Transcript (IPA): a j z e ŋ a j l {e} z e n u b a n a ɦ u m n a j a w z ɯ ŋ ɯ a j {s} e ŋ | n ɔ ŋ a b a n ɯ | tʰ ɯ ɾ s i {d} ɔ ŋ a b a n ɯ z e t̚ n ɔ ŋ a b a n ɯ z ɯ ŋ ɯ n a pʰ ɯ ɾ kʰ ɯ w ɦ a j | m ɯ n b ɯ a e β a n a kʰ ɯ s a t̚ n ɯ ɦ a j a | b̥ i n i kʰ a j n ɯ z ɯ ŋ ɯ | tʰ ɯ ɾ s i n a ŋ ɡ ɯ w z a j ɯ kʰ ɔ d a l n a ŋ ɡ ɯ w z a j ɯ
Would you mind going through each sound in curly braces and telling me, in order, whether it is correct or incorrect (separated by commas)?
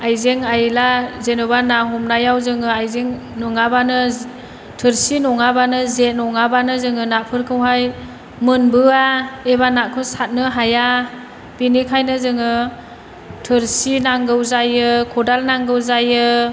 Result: incorrect, incorrect, incorrect